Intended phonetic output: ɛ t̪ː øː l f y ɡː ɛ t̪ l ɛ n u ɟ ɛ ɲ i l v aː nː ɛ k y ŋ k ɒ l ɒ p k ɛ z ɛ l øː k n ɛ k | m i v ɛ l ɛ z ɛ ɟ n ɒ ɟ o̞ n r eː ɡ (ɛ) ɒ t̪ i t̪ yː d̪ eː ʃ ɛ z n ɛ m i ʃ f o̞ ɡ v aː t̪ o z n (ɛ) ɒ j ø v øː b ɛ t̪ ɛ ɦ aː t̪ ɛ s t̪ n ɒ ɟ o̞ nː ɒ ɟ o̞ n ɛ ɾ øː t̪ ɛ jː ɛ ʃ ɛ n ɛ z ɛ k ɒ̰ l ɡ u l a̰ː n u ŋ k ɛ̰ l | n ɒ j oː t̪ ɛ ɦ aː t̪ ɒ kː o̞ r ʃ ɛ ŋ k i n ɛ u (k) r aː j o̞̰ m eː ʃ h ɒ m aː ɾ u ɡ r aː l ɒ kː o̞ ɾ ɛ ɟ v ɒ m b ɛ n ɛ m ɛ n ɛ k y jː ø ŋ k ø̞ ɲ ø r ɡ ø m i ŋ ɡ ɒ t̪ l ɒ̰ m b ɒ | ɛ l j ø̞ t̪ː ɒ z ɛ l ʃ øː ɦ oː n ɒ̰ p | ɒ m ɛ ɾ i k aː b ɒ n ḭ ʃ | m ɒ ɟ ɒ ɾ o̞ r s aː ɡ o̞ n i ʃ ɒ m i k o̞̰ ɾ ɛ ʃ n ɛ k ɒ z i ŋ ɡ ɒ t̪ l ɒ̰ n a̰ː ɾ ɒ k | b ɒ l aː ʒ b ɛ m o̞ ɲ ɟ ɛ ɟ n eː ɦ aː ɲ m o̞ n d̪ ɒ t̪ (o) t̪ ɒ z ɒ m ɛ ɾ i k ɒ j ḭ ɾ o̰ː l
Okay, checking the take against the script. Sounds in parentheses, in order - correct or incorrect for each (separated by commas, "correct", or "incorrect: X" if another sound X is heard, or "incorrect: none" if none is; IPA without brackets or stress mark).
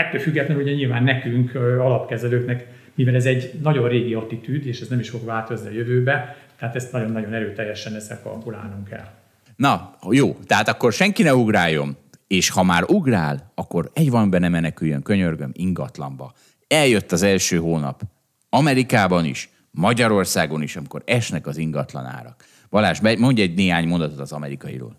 incorrect: i, incorrect: i, incorrect: ɡ, correct